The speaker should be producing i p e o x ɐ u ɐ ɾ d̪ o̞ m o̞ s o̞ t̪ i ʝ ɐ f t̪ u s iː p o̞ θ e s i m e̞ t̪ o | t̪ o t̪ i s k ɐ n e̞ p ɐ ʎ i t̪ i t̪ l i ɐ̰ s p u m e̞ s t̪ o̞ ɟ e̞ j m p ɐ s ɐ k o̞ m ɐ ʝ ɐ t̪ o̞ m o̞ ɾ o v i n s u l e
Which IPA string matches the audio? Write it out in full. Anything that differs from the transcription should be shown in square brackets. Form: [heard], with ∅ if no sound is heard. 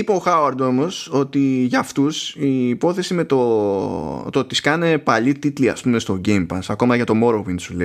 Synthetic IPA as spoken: i p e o x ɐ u ɐ ɾ d̪ o̞ m o̞ s o̞ t̪ i ʝ ɐ f t̪ u s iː p o̞ θ e s i m e̞ t̪ o | t̪ o t̪ i s k ɐ n e̞ p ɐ ʎ i t̪ i t̪ l i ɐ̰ s p u m e̞ s t̪ o̞ ɟ e̞ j m p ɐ s ɐ k o̞ m ɐ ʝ ɐ t̪ o̞ m o̞ ɾ o v i n s u l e